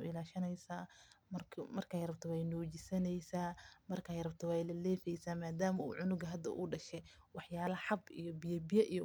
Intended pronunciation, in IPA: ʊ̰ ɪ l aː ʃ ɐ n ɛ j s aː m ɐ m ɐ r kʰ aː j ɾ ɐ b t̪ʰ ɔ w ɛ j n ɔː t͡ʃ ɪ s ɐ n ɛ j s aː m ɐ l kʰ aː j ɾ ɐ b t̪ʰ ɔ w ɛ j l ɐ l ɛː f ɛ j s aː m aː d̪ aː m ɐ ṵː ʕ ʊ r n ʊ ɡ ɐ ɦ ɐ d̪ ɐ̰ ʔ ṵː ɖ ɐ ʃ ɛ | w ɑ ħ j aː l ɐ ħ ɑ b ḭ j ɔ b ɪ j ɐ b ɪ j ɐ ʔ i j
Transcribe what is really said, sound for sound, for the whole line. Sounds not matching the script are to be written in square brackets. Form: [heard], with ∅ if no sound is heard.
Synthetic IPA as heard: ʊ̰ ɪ l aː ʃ ɐ n ɛ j s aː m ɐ m ɐ r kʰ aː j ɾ ɐ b t̪ʰ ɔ w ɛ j n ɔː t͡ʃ ɪ s ɐ n ɛ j s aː m ɐ [r] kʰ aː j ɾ ɐ b t̪ʰ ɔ w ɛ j l ɐ l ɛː f ɛ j s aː m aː d̪ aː m ɐ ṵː ʕ ʊ [∅] n ʊ ɡ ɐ ɦ ɐ d̪ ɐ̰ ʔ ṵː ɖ ɐ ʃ ɛ | w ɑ ħ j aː l ɐ ħ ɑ b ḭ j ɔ b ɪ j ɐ b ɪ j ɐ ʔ i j